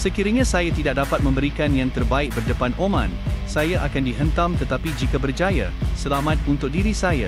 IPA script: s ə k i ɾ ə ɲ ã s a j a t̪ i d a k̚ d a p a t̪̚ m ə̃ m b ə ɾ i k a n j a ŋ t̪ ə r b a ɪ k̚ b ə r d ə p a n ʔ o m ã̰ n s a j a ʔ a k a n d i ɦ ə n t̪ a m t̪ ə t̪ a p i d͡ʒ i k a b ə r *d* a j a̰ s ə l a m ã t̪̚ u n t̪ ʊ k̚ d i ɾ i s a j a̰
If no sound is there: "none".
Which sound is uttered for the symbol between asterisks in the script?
d͡ʒ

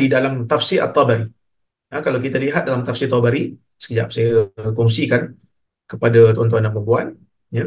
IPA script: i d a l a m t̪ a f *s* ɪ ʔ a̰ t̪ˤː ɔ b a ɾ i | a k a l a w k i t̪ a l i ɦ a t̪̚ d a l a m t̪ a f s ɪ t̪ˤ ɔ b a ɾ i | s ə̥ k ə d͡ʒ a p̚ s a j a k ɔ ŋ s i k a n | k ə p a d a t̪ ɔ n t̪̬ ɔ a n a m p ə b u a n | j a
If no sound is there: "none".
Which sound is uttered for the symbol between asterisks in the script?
s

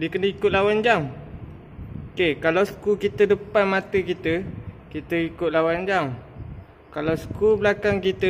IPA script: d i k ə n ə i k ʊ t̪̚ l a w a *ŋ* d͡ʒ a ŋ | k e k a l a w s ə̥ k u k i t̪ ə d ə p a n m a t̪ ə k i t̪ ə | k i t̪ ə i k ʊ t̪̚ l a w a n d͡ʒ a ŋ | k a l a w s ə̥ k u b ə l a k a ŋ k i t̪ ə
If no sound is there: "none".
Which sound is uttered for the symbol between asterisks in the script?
n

